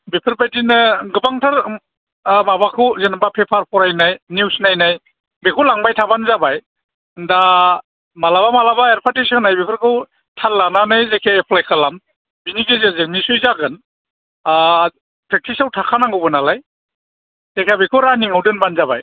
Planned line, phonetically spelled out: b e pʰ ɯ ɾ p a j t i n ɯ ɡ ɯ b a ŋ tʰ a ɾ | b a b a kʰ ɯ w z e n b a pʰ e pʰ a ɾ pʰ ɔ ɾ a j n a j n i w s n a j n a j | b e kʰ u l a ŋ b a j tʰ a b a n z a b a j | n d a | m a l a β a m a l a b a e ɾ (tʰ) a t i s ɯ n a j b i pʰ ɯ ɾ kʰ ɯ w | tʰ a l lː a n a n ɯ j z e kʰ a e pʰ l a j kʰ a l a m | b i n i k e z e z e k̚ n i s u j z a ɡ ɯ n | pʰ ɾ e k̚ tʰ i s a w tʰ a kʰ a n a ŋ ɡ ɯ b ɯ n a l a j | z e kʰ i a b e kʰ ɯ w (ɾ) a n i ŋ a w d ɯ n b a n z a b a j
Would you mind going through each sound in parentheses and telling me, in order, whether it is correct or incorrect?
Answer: incorrect: pʰ, correct

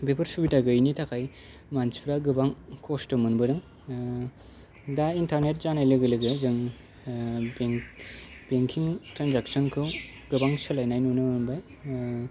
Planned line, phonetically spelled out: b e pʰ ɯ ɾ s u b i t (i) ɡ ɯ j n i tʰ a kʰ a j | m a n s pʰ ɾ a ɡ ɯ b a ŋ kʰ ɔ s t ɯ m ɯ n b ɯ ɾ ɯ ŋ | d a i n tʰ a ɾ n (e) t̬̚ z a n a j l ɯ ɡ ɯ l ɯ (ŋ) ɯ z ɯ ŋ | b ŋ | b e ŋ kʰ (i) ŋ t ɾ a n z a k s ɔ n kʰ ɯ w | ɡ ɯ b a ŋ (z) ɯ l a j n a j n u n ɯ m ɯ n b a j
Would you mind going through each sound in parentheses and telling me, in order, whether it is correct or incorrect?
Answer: incorrect: a, correct, incorrect: ɡ, correct, incorrect: s

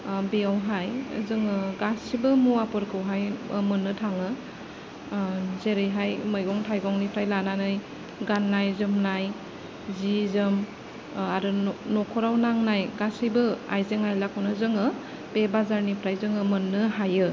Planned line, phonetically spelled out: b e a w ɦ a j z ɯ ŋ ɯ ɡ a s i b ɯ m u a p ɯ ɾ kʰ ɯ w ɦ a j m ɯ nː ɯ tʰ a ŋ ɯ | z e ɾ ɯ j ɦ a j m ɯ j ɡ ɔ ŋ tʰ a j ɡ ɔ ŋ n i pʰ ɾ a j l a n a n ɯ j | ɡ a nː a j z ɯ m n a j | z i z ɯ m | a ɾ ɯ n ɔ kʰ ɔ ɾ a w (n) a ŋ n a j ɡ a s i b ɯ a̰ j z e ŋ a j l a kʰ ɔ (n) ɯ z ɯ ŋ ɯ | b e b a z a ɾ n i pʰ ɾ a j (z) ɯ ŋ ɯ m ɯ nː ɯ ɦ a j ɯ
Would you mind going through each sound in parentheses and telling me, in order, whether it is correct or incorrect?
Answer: correct, correct, correct

